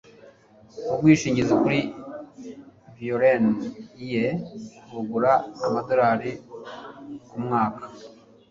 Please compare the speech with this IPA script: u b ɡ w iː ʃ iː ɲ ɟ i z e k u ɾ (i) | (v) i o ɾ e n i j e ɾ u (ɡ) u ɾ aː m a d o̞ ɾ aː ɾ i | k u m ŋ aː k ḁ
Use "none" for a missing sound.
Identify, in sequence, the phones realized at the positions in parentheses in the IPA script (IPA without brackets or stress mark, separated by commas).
i, v, ɡ